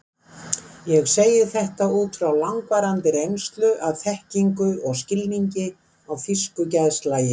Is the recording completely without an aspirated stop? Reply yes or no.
yes